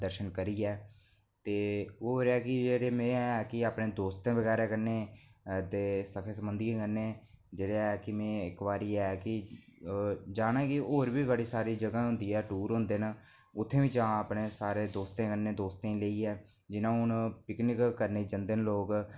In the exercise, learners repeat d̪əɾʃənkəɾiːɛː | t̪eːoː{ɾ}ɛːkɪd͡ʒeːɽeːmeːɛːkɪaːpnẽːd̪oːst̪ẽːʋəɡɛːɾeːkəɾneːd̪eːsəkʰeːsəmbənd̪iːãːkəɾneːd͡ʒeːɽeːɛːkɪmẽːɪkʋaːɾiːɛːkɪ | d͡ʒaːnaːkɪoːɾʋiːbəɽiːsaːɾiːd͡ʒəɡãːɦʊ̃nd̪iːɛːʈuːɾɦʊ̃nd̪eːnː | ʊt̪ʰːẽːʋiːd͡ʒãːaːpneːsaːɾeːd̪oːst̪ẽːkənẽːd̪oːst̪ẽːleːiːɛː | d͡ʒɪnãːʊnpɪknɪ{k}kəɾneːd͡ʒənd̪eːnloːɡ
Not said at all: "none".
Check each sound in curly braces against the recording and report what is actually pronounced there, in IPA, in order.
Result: ɾ, k

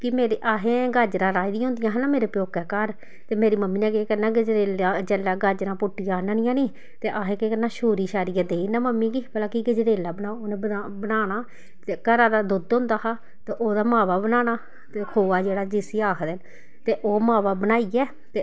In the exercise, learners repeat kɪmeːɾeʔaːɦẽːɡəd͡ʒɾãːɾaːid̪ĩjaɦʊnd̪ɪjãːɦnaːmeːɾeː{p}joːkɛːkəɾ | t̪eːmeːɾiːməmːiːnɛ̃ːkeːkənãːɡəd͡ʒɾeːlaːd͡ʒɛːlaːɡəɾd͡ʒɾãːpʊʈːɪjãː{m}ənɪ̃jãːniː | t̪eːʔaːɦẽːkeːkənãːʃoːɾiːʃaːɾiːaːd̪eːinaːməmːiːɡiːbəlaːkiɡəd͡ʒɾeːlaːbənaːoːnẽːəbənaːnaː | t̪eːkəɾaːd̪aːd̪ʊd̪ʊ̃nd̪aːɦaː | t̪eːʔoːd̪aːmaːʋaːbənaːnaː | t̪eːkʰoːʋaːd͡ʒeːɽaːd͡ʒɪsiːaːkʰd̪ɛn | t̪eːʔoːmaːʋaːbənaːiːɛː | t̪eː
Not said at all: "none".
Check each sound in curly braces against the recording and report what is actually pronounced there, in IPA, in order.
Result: p, n

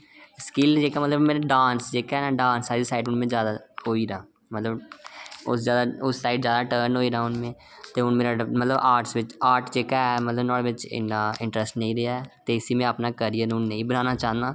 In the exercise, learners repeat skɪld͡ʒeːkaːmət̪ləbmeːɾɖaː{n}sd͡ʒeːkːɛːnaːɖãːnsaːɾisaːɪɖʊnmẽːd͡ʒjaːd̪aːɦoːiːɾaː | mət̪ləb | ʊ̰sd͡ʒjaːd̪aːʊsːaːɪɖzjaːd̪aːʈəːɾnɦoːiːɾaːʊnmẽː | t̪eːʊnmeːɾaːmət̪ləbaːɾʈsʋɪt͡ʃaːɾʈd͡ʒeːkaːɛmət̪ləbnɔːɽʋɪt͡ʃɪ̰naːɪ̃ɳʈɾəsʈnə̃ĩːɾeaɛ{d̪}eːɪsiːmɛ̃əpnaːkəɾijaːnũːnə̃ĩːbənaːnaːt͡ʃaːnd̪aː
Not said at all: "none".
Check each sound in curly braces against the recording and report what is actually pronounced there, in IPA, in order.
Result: n, t̪

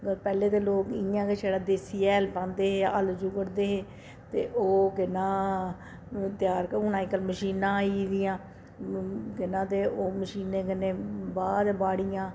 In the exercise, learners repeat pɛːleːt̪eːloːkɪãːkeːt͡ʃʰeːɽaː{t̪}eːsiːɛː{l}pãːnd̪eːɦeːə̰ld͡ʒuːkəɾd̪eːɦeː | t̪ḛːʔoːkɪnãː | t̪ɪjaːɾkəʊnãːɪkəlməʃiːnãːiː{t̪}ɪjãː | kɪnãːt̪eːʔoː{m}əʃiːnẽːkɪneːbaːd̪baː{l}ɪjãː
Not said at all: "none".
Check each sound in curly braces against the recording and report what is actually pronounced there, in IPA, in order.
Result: d̪, l, d̪, m, ɽ

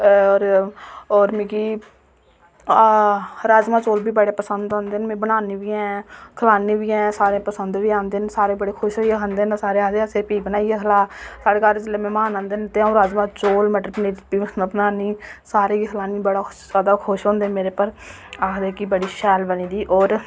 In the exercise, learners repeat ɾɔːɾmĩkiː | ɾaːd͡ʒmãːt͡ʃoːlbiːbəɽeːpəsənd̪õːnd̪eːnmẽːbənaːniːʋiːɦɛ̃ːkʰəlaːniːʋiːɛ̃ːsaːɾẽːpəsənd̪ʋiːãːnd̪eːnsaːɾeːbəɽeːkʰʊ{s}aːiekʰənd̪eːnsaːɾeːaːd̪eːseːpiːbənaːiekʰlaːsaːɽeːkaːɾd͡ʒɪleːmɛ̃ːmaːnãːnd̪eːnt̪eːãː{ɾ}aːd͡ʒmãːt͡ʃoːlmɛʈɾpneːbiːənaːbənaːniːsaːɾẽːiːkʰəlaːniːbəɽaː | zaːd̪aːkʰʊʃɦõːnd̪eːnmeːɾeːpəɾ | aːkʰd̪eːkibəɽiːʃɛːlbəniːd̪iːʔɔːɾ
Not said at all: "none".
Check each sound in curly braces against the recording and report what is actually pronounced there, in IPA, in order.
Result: ʃ, ɾ

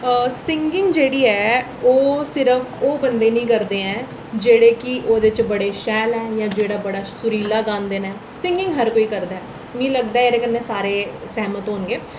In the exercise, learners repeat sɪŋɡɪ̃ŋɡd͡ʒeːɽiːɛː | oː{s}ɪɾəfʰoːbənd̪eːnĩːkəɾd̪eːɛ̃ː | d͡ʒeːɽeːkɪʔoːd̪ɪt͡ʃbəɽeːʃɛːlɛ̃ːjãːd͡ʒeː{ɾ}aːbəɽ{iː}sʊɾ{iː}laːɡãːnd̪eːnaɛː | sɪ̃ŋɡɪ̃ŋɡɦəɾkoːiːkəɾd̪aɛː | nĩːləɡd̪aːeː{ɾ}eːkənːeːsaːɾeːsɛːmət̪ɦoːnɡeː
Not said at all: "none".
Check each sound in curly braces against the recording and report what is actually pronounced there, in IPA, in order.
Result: s, ɽ, aː, iː, ɾ

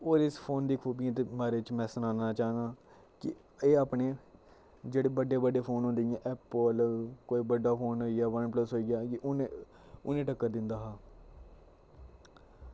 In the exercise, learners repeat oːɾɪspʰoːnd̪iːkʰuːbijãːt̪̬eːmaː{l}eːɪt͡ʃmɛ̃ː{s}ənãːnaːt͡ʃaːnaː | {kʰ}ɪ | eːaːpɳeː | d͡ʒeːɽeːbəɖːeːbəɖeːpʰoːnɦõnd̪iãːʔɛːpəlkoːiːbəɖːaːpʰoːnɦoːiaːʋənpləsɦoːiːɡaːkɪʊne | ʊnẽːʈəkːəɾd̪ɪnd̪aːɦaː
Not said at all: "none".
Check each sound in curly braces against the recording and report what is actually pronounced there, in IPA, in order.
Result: ɾ, s, k

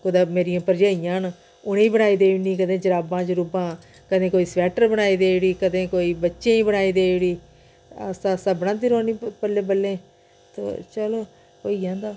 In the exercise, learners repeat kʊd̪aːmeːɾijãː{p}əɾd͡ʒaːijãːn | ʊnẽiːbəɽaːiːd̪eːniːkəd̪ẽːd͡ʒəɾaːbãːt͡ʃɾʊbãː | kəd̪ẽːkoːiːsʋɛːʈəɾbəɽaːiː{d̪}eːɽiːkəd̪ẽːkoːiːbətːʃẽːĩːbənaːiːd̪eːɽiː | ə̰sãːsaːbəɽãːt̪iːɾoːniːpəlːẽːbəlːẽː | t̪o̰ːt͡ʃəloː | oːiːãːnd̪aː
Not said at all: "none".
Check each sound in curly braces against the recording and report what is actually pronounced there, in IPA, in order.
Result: p, d̪

